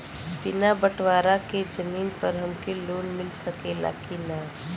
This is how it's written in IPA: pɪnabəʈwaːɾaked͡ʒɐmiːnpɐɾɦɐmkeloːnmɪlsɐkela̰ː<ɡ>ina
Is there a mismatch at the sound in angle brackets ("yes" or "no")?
yes